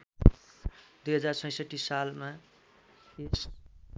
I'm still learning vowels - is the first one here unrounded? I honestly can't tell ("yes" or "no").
no